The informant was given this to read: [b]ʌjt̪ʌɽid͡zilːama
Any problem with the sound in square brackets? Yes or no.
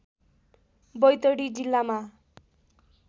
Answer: no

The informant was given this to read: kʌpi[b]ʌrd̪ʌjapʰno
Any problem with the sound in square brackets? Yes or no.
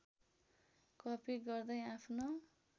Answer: yes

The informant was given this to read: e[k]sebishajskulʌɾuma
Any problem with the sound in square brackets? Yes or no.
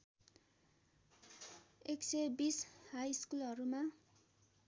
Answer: no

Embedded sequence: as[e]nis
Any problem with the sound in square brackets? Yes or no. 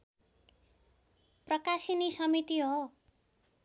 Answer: yes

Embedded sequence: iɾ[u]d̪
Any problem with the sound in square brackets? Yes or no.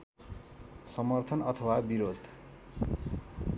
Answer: yes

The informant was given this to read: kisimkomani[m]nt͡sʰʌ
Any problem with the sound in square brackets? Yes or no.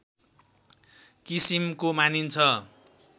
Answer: yes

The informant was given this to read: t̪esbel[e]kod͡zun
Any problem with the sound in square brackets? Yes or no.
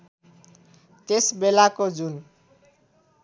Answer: yes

